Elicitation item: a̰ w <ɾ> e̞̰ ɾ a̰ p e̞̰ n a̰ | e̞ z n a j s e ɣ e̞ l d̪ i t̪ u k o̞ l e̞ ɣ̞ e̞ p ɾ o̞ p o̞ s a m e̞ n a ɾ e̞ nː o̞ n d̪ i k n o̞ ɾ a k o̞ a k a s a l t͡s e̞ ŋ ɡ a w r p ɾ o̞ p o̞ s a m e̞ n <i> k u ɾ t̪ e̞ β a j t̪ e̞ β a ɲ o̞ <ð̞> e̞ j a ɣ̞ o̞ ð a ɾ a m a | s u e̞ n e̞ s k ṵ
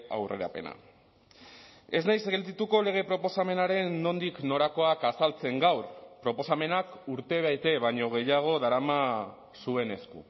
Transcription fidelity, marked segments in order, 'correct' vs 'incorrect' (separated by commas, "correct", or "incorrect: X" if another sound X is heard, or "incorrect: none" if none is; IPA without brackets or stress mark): incorrect: r, incorrect: a, incorrect: ɣ̞